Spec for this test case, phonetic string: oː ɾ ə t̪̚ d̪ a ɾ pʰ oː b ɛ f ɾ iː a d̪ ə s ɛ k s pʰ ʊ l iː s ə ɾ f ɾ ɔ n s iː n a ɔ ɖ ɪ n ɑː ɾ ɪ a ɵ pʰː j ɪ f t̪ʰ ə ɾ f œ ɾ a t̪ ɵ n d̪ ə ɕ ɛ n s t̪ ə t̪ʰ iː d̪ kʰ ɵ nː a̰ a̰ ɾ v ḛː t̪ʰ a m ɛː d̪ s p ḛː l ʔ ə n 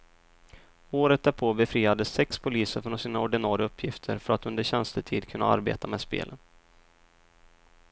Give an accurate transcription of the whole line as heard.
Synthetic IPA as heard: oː ɾ ə t̪̚ d̪ æ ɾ pʰ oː b ɛ f ɾ iː a d̪ ə s ɛ k s pʰ ʊ l iː s ə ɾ f ɾ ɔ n s iː n a ɔ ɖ ɪ n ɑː ɾ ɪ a ɵ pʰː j ɪ f t̪ʰ ə ɾ f œ ɾ a t̪ ɵ n d̪ ə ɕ ɛ n s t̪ ə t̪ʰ iː d̪ kʰ ɵ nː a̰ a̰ ɾ b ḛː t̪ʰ a m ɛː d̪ s p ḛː l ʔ ə n